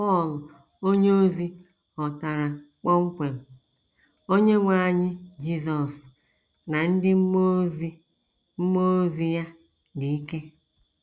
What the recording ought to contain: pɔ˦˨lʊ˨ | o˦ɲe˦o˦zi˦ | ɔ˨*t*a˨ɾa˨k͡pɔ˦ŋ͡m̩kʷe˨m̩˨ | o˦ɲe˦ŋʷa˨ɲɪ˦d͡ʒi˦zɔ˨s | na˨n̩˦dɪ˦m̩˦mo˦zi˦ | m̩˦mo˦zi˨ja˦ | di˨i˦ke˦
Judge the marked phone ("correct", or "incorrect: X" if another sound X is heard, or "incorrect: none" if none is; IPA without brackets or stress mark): correct